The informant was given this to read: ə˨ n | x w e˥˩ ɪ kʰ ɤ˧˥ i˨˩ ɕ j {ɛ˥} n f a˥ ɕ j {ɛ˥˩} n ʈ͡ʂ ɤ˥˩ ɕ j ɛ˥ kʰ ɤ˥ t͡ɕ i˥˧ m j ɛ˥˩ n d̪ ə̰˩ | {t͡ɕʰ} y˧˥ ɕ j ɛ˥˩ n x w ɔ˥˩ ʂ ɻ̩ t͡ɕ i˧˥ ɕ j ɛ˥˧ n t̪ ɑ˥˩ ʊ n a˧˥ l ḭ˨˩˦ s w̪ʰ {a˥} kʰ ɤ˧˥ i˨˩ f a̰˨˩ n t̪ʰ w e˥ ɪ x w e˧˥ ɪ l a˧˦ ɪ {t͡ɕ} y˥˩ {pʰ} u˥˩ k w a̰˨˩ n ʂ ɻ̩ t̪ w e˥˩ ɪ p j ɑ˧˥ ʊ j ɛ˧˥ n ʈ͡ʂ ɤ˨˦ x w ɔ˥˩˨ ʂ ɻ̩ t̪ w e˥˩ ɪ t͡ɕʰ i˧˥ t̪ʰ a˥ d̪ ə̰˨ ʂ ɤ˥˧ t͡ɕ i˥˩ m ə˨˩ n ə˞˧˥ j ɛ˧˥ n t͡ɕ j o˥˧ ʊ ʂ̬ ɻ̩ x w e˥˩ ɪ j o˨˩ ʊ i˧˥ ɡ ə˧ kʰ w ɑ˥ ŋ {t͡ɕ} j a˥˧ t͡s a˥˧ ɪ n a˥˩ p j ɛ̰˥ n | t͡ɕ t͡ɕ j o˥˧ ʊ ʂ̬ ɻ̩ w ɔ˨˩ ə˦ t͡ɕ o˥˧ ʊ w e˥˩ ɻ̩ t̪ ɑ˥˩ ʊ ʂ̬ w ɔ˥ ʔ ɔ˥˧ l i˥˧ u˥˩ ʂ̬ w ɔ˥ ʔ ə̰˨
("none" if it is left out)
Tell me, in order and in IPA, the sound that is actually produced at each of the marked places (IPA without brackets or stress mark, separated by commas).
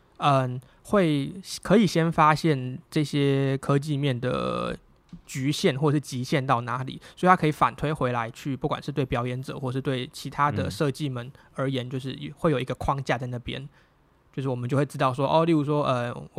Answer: ɛ˥, ɛ˥˩, t͡ɕ, a˥, t͡ɕʰ, p, t͡ɕ